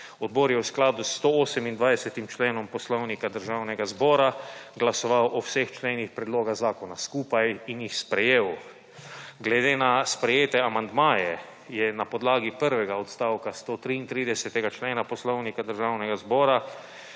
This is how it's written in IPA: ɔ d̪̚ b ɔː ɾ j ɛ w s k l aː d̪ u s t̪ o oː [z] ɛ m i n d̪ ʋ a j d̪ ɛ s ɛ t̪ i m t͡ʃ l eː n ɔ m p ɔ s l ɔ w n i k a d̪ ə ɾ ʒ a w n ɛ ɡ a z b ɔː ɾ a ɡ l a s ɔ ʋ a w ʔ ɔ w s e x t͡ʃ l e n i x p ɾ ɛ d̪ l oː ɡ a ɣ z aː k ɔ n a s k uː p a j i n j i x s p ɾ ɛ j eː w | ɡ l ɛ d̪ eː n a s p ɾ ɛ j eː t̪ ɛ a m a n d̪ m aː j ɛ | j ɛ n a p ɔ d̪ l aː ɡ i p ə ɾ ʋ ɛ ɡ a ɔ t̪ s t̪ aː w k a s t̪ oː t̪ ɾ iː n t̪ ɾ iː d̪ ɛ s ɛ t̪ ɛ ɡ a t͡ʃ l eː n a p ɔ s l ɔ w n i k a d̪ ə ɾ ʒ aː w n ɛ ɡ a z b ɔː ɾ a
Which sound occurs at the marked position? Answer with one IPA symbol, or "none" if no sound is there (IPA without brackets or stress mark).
s